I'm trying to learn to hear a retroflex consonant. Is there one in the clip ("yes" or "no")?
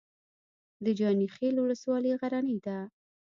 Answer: no